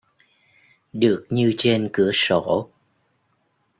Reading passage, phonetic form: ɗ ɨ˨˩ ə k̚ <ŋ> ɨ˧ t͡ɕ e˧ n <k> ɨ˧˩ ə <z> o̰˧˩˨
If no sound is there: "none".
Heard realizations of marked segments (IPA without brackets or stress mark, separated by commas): ɲ, k, s